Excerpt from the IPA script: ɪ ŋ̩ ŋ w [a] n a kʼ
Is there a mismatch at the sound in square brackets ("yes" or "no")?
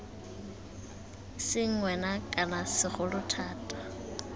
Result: yes